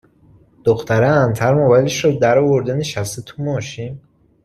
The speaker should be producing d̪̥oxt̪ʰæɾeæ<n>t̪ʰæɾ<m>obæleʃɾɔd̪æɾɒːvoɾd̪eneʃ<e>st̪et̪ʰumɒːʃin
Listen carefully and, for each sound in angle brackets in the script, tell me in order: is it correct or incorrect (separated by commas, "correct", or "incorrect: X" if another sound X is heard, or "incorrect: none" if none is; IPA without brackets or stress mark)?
correct, correct, incorrect: æ